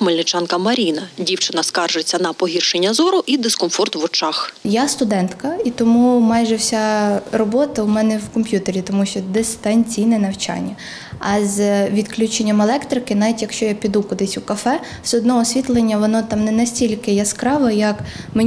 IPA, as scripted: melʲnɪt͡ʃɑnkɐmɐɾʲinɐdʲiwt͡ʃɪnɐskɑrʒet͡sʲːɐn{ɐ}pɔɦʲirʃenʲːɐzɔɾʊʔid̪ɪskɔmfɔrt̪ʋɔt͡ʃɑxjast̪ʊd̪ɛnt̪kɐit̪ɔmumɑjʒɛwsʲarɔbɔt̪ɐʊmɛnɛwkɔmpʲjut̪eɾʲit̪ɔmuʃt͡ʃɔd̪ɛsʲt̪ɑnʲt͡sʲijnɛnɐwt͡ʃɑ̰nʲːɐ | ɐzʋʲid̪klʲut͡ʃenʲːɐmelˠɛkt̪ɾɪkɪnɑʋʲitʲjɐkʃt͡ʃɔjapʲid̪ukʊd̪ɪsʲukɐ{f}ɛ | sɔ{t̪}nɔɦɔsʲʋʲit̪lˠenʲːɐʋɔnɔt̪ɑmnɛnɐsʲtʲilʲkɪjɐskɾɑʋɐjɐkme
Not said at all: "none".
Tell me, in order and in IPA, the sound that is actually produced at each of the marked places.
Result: ɐ, f, d̪

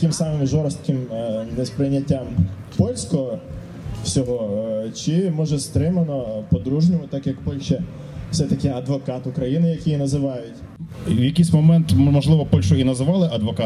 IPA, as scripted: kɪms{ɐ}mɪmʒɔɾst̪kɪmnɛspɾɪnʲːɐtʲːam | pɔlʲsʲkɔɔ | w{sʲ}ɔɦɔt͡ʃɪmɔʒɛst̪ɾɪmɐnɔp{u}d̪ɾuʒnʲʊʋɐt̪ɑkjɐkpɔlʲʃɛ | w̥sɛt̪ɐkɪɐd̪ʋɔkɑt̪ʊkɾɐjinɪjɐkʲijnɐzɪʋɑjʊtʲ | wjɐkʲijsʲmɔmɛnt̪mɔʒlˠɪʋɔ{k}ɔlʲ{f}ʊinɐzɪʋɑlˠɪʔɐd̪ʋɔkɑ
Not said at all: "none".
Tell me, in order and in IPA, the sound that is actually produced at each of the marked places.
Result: ɑ, sʲ, ɔ, p, ʃ

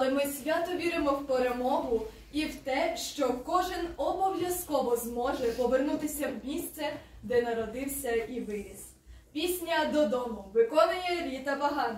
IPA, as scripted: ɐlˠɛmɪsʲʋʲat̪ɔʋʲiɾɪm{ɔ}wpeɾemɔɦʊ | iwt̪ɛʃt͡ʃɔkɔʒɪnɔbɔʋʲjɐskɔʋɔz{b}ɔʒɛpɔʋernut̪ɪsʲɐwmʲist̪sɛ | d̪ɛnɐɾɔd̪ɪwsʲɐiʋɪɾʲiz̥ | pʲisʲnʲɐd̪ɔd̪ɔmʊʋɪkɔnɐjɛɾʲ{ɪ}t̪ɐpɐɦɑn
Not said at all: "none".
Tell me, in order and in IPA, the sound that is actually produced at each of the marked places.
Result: ɔ, m, i

